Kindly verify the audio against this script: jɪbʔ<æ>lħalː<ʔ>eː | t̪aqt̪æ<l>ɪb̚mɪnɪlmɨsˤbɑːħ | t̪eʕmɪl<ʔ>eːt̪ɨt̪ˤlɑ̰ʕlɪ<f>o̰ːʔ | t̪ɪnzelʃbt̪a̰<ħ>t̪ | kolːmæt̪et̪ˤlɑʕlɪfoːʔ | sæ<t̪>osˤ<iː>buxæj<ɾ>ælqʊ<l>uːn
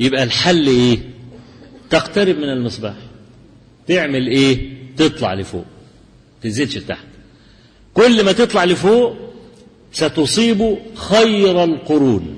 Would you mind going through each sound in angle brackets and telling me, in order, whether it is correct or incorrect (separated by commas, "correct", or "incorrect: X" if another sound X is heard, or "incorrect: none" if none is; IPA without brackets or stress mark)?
correct, correct, incorrect: ɾ, correct, correct, correct, correct, correct, correct, incorrect: ɾ